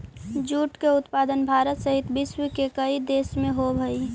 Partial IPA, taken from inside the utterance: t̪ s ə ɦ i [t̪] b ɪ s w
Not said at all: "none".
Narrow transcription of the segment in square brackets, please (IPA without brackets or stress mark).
t̪